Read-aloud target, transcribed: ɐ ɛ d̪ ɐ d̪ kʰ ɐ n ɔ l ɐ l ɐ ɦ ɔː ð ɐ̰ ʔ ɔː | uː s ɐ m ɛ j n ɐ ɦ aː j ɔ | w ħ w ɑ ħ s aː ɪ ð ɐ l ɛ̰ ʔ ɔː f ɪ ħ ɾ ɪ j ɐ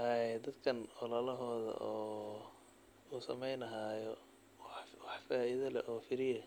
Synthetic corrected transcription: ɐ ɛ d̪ ɐ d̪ kʰ ɐ n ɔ l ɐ l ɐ ɦ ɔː ð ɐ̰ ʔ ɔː | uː s ɐ m ɛ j n ɐ ɦ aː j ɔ | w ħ w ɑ ħ f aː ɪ ð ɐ l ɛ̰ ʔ ɔː f ɪ ɾ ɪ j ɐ